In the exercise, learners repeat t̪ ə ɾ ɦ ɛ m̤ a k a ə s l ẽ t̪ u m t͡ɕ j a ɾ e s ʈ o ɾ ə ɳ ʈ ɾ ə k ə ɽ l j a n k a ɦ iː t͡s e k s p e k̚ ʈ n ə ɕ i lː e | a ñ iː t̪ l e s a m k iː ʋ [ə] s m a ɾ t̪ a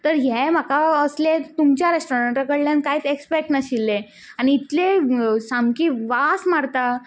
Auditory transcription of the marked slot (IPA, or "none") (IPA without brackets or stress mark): a